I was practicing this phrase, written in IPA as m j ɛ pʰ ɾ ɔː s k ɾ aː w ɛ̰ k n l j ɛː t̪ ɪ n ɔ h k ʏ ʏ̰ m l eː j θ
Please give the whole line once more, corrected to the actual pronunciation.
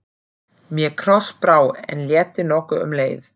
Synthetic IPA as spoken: m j ɛ kʰ ɾ ɔ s p ɾ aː w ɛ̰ n l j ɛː t̪ ɪ n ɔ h k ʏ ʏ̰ m l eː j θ

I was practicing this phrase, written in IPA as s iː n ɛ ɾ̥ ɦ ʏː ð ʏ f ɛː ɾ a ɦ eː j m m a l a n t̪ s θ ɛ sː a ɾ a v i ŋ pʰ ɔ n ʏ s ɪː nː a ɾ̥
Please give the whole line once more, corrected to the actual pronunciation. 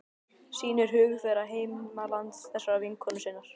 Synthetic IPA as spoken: s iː n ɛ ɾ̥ ɦ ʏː ɣ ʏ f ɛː ɾ a ɦ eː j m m a l a n t̪ s θ ɛ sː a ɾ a v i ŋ kʰ ɔ n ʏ s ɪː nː a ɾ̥

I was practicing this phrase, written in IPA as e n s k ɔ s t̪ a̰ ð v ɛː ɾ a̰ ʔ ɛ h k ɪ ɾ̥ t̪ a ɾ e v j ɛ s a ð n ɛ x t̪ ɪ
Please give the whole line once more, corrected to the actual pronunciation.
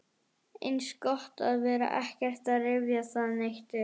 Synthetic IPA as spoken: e n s k ɔ h t̪ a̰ ð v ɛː ɾ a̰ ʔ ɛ h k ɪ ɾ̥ t̪ a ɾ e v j a s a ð n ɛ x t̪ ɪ

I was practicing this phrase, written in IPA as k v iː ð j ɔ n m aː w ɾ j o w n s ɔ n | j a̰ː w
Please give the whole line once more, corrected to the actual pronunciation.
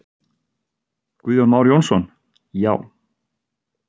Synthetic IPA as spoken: k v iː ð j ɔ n m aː w ɾ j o w n s ɔ n | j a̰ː w

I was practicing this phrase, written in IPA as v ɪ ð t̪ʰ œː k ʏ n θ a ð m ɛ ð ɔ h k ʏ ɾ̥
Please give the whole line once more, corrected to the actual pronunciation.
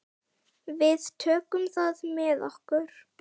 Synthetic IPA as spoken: v ɪ ð t̪ʰ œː k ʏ m θ a ð m ɛ ð ɔ h k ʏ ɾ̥

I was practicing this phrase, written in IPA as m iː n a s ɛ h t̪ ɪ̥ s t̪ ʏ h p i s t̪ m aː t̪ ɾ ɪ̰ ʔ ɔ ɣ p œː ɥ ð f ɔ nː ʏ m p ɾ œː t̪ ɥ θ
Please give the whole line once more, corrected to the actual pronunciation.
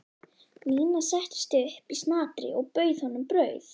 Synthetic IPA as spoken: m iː n a s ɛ h t̪ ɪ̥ s t̪ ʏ h p i s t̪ n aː t̪ ɾ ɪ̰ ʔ ɔ ɣ p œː ɥ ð h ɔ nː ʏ m p ɾ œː ɥ θ

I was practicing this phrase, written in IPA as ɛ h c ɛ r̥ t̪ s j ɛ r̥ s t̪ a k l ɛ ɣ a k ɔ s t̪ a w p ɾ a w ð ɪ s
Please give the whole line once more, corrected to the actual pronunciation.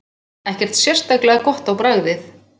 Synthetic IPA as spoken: ɛ h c ɛ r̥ t̪ s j ɛ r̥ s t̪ a k l ɛ ɣ a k ɔ h t̪ a w p ɾ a ɣ ð ɪ θ

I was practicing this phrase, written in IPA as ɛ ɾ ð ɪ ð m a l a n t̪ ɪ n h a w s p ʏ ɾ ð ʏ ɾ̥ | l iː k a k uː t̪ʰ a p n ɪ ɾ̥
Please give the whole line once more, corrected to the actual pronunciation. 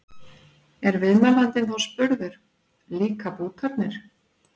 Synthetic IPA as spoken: ɛ ɾ v ɪ ð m a l a n t̪ ɪ n θ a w s p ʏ ɾ ð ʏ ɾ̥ | l iː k a p uː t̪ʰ a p n ɪ ɾ̥

